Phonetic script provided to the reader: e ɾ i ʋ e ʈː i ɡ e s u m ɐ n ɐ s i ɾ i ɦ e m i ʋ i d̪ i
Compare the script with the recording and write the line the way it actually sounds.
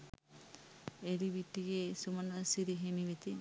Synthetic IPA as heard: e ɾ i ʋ i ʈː i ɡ e s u m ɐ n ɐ s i ɾ i ɦ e m i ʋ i t̪ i